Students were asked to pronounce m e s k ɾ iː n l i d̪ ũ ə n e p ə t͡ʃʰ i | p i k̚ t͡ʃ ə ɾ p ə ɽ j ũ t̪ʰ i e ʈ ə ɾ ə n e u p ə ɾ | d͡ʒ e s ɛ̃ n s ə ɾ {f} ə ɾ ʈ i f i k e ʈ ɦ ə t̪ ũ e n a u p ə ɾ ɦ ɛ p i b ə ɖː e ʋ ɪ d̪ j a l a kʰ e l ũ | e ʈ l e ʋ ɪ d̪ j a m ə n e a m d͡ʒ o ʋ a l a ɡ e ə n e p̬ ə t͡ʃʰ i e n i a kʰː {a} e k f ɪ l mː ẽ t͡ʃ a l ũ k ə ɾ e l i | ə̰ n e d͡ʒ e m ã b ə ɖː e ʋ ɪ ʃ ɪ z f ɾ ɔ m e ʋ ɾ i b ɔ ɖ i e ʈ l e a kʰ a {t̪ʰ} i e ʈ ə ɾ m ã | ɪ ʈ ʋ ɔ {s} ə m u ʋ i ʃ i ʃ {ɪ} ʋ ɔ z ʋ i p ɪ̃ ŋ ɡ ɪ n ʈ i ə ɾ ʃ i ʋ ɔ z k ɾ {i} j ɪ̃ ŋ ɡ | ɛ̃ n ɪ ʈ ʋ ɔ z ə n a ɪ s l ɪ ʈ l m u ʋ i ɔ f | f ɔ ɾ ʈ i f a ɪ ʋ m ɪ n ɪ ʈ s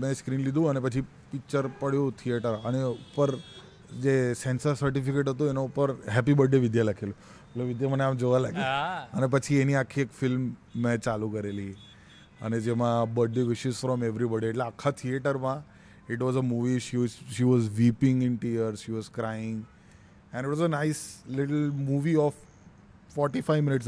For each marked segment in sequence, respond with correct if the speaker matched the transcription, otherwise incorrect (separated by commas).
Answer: incorrect, incorrect, correct, incorrect, incorrect, incorrect